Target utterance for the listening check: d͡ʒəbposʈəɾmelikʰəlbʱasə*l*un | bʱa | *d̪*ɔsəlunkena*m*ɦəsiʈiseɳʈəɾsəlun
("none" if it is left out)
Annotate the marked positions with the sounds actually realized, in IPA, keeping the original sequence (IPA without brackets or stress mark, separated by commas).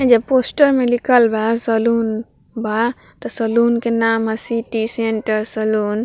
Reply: l, t̪, m